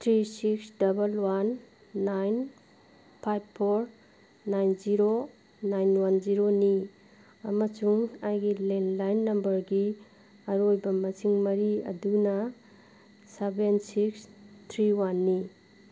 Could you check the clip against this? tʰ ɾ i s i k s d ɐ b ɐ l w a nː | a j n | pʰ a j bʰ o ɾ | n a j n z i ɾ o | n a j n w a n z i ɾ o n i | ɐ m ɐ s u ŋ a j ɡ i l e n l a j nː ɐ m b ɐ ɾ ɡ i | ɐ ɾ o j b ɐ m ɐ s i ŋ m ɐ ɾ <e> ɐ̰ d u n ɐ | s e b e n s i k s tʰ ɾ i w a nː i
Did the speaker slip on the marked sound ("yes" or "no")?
yes